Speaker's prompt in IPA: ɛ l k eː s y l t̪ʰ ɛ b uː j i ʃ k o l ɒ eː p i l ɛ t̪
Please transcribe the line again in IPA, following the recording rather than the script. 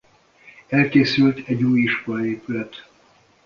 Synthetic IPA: ɛ l k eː s y l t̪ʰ ɛ ɟ uː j i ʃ k o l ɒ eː p y l ɛ t̪